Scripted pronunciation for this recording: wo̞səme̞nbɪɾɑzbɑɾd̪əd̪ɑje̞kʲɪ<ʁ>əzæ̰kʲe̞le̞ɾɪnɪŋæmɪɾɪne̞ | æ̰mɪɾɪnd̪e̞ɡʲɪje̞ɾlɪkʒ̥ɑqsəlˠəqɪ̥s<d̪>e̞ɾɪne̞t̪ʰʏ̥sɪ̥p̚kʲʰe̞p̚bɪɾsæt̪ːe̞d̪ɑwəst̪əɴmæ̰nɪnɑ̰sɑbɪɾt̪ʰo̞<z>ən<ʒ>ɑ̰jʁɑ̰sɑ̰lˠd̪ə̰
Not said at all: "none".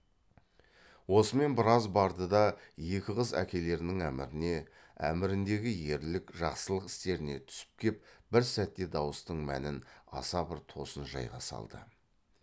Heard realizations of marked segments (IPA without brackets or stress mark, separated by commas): ʁ, t̪, s, ʒ